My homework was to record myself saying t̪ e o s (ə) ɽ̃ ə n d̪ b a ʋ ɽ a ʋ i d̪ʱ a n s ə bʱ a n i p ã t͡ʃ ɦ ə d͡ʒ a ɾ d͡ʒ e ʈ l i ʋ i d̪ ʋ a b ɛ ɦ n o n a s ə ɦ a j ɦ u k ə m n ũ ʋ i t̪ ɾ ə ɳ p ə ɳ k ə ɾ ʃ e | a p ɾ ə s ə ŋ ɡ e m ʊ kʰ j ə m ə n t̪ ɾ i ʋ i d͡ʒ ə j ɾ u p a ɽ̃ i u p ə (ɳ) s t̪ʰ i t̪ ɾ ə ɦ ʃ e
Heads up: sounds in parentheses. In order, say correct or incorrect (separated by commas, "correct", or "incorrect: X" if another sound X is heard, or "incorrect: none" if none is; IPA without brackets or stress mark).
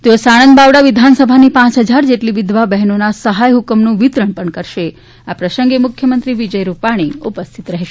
incorrect: a, incorrect: none